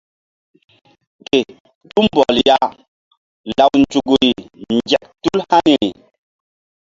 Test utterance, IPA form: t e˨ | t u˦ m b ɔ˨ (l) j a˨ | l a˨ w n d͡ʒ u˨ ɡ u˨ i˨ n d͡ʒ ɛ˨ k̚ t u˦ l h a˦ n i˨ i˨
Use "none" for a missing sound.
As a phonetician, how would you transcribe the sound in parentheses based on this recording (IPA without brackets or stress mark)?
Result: l